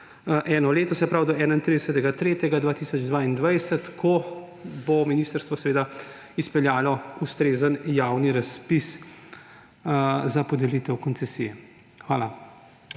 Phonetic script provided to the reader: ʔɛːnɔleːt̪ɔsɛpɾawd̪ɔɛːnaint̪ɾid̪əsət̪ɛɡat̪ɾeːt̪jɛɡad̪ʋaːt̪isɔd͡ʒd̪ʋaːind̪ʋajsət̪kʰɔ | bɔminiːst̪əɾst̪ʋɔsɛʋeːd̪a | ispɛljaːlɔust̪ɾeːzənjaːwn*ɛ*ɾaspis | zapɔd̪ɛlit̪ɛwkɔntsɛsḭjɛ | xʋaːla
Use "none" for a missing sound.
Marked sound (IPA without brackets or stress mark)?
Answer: i